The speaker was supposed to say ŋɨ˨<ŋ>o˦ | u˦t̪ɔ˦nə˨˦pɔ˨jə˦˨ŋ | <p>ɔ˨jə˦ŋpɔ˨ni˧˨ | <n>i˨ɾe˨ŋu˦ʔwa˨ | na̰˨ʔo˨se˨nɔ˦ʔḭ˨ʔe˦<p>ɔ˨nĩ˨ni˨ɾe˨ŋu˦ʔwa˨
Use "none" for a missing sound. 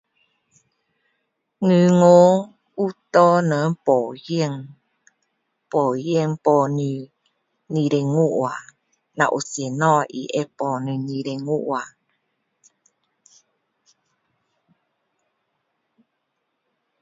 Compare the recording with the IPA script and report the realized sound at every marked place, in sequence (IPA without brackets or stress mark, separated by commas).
ŋ, p, n, p